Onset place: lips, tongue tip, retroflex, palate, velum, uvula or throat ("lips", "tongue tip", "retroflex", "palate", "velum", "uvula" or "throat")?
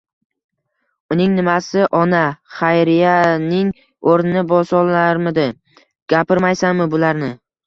tongue tip